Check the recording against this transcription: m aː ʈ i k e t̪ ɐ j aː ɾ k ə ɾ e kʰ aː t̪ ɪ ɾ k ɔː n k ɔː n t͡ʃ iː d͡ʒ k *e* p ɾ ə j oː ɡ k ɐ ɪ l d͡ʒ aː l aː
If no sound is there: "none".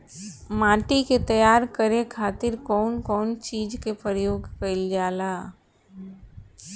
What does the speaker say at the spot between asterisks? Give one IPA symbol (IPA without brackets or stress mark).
e